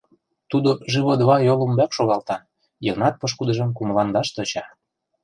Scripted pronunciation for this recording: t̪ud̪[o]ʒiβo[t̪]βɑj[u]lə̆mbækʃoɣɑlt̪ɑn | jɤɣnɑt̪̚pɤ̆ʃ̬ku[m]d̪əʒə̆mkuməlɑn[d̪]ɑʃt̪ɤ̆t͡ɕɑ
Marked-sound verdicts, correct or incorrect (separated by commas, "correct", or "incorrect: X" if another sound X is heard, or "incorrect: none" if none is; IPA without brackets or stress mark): correct, incorrect: d̪, incorrect: o, incorrect: none, correct